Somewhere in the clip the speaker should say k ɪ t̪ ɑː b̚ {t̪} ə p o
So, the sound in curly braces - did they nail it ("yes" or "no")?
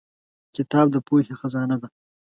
no